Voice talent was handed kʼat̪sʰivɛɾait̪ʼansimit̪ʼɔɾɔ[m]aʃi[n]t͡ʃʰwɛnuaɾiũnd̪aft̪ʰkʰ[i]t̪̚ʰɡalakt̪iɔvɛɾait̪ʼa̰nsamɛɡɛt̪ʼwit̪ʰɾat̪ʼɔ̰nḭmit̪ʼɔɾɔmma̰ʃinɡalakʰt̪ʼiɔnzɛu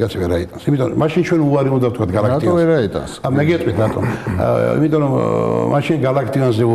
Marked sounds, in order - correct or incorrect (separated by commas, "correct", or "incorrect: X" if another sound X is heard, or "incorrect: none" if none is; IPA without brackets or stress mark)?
correct, correct, incorrect: a